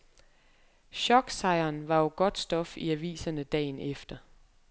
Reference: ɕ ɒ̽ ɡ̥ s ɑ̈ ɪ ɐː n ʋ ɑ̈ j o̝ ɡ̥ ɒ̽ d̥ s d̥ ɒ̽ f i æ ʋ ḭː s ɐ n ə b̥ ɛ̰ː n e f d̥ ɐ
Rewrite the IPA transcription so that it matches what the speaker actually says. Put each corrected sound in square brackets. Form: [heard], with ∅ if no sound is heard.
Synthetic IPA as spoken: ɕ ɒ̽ ɡ̥ s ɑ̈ ɪ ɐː n ʋ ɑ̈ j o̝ ɡ̥ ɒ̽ d̥ s d̥ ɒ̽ f i æ ʋ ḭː s ɐ n ə [d̥] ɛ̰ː n e f d̥ ɐ